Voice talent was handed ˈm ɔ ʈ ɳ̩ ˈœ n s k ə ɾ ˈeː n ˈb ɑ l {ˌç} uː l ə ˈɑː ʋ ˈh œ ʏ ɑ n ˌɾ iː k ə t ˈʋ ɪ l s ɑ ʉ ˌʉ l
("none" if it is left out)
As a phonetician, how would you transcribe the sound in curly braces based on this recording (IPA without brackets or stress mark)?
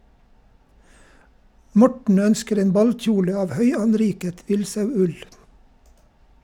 c͡ç